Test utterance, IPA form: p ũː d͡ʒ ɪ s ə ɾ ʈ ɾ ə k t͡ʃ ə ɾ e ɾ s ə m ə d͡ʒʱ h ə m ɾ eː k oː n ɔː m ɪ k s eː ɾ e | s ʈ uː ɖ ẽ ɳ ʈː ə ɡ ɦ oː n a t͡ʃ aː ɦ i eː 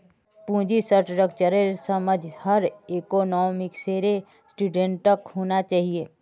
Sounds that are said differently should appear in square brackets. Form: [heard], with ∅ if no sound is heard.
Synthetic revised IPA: p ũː d͡ʒ [i] s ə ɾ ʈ ɾ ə k t͡ʃ ə ɾ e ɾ s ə m ə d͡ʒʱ h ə [∅] ɾ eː k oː n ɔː m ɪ k s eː ɾ e | s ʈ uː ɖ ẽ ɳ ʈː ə [k] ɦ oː n a t͡ʃ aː ɦ i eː